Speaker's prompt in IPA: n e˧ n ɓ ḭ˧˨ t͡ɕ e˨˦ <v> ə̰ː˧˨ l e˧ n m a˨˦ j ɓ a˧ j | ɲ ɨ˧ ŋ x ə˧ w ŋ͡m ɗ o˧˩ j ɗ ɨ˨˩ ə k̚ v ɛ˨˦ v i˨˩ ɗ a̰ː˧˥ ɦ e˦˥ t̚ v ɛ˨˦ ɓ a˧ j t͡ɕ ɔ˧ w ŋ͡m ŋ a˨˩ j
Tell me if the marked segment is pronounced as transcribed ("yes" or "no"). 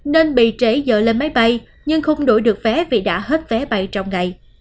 no